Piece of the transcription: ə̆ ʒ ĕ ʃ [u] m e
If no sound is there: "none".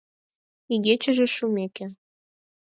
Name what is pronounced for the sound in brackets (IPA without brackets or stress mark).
u